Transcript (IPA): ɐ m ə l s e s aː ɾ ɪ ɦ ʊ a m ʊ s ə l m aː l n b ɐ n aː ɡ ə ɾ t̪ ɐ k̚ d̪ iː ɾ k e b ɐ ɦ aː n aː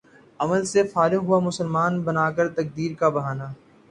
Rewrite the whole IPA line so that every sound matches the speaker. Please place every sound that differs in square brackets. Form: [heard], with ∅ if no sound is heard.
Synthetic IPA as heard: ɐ m ə l s e [f] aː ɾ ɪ ɦ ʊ a m ʊ s ə l m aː [∅] n b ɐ n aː [k] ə ɾ t̪ ɐ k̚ d̪ iː ɾ k [a] b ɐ ɦ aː n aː